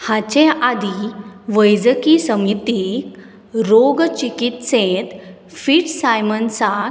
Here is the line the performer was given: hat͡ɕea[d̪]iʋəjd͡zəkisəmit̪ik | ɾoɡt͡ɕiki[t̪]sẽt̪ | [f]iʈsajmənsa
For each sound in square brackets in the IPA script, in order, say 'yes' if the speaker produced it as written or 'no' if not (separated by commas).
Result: yes, yes, yes